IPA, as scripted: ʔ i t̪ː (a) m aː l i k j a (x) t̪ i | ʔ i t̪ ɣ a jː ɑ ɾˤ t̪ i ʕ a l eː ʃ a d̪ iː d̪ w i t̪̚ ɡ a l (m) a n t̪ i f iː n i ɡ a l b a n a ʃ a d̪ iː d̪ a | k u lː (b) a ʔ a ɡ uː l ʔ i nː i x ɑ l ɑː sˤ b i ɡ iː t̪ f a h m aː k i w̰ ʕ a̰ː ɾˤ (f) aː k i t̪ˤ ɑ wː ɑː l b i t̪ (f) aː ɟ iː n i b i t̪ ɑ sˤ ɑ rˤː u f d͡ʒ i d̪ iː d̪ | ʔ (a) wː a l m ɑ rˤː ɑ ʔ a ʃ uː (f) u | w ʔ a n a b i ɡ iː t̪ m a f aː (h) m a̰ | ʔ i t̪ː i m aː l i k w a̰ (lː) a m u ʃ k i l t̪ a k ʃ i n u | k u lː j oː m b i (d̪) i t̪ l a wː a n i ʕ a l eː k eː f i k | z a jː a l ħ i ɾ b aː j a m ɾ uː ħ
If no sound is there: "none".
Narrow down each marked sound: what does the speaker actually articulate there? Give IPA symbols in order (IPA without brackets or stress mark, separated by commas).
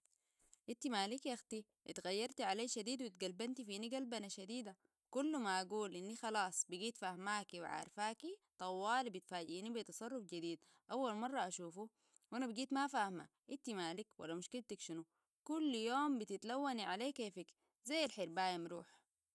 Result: i, x, b, m, f, f, a, f, h, lː, t̪